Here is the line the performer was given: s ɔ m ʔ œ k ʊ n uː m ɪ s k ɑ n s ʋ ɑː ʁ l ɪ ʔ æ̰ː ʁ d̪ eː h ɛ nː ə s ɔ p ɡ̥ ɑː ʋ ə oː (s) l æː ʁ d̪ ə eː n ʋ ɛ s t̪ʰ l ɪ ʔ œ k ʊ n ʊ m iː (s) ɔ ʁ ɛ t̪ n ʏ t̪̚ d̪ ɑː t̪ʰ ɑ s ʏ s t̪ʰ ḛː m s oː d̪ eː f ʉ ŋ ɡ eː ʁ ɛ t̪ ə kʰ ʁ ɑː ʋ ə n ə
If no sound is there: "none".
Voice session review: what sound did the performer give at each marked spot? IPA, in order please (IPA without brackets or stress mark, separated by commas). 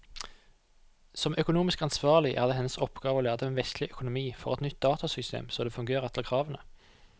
none, f